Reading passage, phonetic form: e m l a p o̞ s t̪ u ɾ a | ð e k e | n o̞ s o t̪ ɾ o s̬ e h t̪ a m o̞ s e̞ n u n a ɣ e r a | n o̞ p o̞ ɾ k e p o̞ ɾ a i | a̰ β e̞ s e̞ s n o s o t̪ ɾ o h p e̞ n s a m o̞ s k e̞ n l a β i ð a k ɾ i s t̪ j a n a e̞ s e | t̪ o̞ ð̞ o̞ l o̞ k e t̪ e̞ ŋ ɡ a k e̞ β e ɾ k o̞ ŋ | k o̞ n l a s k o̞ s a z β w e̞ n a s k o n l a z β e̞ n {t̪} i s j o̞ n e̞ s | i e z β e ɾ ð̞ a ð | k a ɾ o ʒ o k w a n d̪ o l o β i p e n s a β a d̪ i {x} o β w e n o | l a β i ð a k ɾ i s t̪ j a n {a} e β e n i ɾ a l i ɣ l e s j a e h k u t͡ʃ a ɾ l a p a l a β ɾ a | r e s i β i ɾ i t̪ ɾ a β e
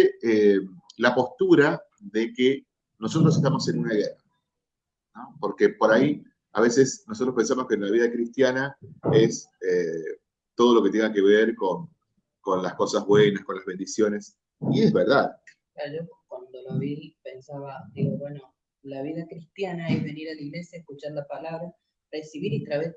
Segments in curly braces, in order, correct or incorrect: incorrect: d̪, incorrect: ɣ, correct

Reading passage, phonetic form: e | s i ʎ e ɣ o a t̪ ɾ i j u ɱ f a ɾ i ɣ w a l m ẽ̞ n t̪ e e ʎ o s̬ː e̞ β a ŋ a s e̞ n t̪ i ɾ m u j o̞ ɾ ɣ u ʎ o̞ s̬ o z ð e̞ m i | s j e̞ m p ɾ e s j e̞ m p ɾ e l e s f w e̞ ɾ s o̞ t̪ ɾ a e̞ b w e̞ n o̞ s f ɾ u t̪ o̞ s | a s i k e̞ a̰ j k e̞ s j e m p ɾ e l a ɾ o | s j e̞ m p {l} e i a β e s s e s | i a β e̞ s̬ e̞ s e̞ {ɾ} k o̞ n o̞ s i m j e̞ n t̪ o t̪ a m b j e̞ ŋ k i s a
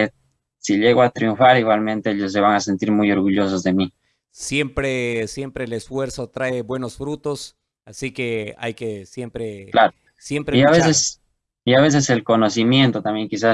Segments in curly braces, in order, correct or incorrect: incorrect: ɾ, incorrect: l

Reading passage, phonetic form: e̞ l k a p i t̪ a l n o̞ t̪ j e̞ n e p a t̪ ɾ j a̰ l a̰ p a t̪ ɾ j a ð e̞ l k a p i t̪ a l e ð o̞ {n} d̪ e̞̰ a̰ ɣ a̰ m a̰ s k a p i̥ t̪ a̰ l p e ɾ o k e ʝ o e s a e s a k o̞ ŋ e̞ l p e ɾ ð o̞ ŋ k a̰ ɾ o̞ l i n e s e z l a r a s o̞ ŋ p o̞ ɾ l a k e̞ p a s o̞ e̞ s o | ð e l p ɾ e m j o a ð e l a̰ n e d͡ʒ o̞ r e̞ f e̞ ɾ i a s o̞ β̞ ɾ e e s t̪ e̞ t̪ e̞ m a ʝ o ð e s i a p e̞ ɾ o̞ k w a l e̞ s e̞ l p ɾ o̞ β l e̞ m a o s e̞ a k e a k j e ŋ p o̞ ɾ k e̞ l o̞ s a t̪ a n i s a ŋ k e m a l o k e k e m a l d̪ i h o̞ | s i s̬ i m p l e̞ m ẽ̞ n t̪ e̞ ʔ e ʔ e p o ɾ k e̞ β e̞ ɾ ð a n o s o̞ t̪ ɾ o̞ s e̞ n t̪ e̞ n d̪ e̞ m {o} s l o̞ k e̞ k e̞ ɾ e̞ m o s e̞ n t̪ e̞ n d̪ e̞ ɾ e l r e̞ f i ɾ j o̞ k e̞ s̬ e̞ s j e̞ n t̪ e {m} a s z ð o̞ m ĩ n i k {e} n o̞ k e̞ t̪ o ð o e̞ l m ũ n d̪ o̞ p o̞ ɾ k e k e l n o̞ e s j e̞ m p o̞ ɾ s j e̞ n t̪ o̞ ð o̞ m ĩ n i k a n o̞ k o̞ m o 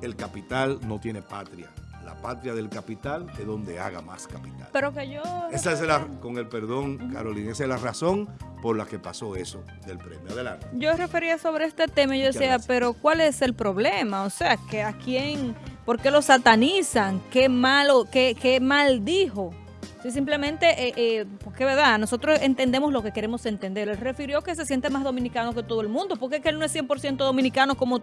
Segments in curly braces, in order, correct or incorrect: correct, correct, correct, incorrect: a

